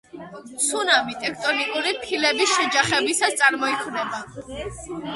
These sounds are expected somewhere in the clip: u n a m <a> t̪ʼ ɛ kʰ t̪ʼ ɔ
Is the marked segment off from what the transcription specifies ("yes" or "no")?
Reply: yes